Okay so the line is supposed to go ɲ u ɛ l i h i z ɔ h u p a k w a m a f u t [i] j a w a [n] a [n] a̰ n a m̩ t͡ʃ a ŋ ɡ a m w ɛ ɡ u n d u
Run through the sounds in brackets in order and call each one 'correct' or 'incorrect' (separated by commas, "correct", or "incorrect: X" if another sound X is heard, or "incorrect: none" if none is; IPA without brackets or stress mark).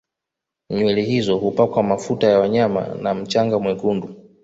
incorrect: a, incorrect: ɲ, incorrect: m